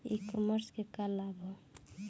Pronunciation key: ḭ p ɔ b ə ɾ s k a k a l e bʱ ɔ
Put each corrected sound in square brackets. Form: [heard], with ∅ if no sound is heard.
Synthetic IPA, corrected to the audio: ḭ [k] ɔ [m] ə ɾ s k [e] k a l [a] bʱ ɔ

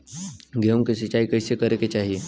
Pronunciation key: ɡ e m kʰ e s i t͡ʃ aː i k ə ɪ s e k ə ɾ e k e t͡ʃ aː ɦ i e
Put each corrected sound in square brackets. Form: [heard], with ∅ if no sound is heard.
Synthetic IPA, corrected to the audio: ɡ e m [k] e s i t͡ʃ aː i k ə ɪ s e k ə ɾ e k e t͡ʃ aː ɦ i e

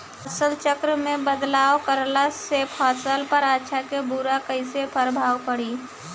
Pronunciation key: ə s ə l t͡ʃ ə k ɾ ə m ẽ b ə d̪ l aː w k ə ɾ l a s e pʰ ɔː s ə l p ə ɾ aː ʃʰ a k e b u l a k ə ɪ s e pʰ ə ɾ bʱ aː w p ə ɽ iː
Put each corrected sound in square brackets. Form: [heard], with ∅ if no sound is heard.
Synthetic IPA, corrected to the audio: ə s ə l t͡ʃ ə k ɾ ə m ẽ b ə d̪ l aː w k ə ɾ l a s e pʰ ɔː s ə l p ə ɾ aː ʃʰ a k e b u [ɾ] a k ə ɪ s e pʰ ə ɾ bʱ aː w p ə ɽ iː

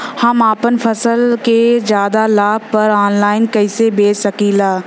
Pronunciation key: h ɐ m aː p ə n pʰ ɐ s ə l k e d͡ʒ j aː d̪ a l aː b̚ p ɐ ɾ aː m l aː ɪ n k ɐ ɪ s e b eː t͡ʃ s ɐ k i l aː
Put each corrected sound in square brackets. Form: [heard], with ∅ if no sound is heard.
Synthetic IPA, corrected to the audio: h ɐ m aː p ə n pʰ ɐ s ə l k e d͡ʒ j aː d̪ a l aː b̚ p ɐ ɾ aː [n] l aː ɪ n k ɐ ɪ s e b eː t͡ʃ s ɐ k i l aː

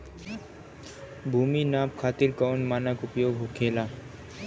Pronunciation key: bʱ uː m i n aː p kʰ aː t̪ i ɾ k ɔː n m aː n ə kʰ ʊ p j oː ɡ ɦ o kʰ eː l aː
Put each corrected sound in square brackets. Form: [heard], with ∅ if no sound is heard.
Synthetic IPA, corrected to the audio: bʱ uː m i n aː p kʰ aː t̪ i ɾ k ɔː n m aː n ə [k] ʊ p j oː ɡ ɦ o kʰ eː l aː

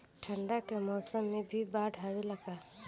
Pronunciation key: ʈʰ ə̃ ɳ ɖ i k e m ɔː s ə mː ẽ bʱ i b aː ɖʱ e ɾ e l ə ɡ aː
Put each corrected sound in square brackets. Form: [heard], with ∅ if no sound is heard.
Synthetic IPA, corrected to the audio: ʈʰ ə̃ ɳ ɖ [a] k e m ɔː s ə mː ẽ bʱ i b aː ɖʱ [a] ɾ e l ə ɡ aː

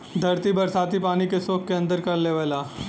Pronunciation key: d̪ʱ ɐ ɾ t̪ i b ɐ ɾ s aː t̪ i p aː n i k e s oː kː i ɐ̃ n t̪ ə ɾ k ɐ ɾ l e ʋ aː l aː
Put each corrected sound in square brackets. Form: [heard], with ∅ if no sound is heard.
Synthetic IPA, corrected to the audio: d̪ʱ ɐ ɾ t̪ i b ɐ ɾ s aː t̪ i p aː n i k e s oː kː [e] ɐ̃ n [d̪] ə ɾ k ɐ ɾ l e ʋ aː l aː

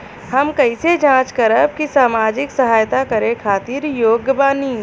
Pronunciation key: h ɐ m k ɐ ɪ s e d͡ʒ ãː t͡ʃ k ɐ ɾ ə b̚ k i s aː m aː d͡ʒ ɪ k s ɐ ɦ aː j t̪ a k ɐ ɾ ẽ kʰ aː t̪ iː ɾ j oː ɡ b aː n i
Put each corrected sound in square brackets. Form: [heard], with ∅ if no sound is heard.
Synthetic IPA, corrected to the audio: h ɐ m k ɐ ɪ s e d͡ʒ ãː t͡ʃ k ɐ ɾ ə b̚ k i s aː m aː d͡ʒ ɪ k s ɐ ɦ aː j t̪ a k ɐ ɾ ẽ kʰ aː t̪ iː ɾ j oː ɡ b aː n i

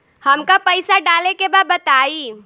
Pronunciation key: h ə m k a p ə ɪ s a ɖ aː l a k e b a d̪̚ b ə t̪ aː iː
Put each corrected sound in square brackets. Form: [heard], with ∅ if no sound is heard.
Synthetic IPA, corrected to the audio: h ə m k a p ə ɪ s a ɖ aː l [e] k e b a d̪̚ b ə t̪ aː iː

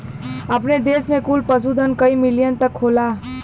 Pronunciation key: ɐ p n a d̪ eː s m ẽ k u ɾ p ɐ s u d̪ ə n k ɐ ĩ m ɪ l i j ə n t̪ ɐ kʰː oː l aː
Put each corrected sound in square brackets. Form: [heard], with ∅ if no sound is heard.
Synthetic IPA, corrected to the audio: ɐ p n [e] d̪ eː s m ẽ k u [l] p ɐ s u d̪ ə n k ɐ [i] m ɪ l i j ə n t̪ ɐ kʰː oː l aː

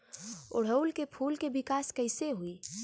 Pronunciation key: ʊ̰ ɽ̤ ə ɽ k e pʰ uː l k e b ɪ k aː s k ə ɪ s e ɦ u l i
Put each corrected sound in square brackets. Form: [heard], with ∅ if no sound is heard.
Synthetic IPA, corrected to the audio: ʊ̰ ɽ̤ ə [l] k e pʰ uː l k e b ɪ k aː s k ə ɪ s e ɦ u [∅] i

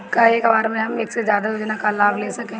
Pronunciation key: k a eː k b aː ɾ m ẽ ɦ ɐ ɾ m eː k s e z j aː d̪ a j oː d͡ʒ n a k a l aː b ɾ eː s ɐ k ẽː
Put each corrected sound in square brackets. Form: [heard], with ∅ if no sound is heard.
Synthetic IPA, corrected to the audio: k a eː k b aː ɾ m ẽ ɦ ɐ [∅] m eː k s e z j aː d̪ a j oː d͡ʒ n a k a l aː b [l] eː s ɐ k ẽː

